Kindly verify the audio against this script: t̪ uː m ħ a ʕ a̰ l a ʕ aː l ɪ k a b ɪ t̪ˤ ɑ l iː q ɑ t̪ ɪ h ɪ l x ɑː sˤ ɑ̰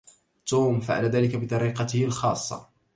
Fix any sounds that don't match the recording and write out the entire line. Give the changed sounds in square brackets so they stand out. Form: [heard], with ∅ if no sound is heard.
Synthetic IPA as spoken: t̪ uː m [f] a ʕ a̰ l a [ð] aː l ɪ k a b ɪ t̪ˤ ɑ [ɾ] iː q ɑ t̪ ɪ h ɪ l x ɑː [sˤː] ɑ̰